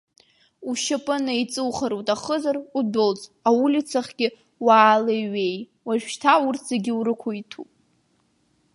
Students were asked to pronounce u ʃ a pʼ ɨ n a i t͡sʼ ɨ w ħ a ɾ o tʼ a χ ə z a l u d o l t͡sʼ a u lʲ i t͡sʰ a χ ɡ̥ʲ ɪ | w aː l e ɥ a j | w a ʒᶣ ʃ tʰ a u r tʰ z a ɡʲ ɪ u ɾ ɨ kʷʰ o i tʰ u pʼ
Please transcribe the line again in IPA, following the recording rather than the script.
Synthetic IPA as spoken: u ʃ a pʼ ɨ n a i t͡sʼ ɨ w χ a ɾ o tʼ a χ ə z a r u d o l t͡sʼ a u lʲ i t͡sʰ a χ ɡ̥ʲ ɪ | w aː l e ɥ e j | w a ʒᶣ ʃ tʰ a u r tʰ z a ɡʲ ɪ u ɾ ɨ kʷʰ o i tʰ u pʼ

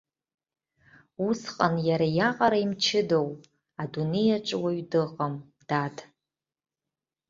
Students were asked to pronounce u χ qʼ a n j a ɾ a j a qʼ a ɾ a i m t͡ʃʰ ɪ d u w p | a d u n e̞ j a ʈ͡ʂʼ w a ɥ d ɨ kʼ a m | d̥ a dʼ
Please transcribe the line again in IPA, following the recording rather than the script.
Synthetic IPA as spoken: u s qʼ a n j a ɾ a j a qʼ a ɾ a i m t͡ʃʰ ɪ d o w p | a d u n e̞ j a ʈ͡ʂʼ w a ɥ d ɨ qʼ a m | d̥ a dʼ

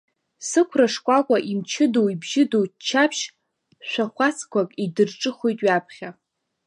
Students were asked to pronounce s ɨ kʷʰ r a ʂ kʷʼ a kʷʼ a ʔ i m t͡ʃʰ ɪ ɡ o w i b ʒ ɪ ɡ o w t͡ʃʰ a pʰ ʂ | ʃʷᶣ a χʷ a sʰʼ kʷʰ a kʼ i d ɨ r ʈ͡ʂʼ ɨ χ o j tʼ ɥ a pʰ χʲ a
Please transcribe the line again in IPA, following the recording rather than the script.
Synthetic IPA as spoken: s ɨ kʷʰ r a ʂ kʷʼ a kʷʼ a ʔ i m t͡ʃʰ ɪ d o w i b ʒ ɪ d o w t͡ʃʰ a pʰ ʃ | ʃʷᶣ a χʷ a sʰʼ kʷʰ a kʼ i d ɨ r ʈ͡ʂʼ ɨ χ o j tʼ ɥ a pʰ χʲ a

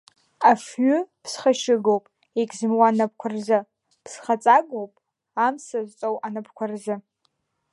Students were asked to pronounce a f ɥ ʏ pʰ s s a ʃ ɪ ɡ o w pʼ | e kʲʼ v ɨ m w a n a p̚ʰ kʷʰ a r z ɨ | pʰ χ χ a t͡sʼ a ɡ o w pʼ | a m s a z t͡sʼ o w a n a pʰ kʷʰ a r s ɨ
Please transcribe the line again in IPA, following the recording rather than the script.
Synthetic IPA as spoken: a f ɥ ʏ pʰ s χ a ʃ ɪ ɡ o w pʼ | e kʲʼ z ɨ m w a n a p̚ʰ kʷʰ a r z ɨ | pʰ s χ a t͡sʼ a ɡ o w pʼ | a m s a z t͡sʼ o w a n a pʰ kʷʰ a r z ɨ

